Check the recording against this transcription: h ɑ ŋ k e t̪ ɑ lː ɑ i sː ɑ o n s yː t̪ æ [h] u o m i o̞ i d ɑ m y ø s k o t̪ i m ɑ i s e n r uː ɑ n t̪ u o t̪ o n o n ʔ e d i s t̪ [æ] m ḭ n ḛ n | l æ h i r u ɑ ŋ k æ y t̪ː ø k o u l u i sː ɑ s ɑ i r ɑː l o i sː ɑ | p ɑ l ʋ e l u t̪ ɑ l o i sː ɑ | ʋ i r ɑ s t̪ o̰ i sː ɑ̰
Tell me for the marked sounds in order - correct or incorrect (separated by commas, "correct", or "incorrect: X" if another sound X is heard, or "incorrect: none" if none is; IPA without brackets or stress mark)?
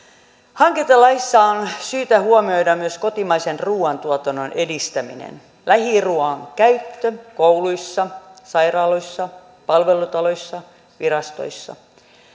correct, correct